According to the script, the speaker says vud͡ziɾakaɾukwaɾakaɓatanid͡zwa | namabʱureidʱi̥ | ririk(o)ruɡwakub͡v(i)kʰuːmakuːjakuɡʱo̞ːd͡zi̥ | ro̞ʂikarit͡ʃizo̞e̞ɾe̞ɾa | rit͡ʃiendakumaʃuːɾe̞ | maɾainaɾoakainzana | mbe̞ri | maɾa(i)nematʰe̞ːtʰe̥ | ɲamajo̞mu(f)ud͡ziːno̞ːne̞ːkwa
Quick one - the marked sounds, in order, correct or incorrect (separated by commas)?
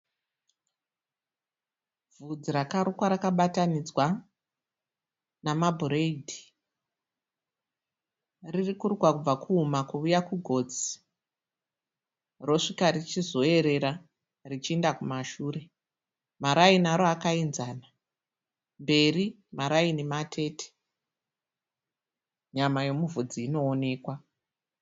incorrect, incorrect, correct, incorrect